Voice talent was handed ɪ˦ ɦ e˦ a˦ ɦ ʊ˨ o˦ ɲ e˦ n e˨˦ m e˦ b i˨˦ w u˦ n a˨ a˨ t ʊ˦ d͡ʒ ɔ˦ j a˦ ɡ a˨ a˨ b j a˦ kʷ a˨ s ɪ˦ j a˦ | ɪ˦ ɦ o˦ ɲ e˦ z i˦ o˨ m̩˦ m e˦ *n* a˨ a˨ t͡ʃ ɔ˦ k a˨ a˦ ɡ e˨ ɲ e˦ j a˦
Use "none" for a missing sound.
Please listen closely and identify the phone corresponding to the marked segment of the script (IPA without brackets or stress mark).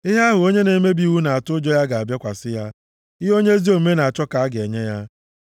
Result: n